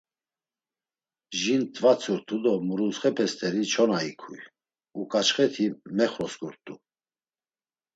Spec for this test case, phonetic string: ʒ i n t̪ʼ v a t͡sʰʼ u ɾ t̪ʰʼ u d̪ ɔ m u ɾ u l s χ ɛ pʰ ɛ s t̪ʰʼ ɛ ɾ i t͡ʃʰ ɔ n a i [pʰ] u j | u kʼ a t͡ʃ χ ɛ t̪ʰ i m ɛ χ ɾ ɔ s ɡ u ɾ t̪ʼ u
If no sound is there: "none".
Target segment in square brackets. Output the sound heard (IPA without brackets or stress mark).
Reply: kʰ